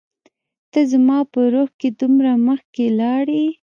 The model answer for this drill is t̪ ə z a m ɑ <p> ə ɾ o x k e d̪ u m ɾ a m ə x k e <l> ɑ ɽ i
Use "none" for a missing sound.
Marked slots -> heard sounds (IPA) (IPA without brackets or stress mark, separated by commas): p, l